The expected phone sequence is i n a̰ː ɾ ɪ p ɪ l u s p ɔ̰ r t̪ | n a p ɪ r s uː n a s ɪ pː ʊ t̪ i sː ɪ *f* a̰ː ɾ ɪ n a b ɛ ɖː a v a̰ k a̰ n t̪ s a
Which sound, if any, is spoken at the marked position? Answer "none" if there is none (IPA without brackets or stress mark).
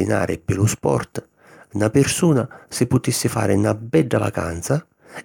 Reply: f